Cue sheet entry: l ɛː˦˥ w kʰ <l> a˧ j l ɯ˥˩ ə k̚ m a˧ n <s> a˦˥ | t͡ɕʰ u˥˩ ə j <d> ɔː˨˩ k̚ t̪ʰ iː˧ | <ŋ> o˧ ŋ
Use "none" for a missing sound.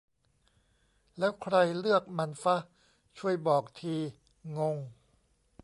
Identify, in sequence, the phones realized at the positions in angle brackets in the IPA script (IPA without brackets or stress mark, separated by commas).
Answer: ɾ, f, b, ŋ